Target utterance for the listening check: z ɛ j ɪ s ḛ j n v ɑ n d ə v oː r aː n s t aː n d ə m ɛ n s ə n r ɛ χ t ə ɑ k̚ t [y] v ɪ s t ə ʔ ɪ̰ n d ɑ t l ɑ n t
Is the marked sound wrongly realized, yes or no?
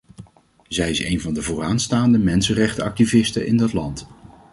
yes